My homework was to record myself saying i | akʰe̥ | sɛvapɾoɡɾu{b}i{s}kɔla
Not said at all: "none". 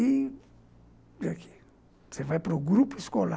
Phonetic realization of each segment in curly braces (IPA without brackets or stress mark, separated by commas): p, s